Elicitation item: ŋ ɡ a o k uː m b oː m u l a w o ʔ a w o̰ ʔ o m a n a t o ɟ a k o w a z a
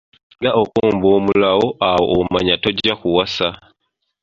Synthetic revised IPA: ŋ ɡ a o k uː m b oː m u l a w o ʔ a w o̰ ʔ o m a ɲ a t o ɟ a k u w a s a